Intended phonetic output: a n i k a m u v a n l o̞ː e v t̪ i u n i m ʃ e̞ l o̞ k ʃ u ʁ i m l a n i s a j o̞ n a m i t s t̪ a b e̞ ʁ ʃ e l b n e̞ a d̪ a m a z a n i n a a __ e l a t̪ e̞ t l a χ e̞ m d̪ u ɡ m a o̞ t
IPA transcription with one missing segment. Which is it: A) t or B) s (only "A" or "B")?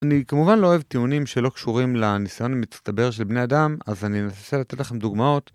B